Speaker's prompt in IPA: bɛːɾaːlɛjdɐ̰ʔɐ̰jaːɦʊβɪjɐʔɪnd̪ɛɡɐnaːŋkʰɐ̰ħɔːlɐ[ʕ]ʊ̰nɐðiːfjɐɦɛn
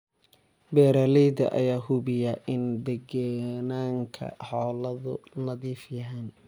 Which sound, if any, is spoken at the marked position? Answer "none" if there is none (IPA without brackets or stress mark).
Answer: ð